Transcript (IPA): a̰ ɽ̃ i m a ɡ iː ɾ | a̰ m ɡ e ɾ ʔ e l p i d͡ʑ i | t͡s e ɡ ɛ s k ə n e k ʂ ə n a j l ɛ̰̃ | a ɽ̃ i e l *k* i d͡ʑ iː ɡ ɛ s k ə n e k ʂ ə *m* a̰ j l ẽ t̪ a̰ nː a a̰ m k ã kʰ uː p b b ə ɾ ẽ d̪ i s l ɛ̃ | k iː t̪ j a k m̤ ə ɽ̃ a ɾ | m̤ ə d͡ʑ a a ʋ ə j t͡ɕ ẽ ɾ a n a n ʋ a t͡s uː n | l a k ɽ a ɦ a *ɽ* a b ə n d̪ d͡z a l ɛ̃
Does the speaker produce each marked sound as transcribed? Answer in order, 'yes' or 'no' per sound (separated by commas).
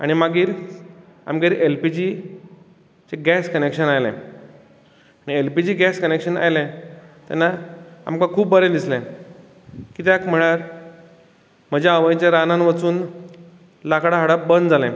no, no, yes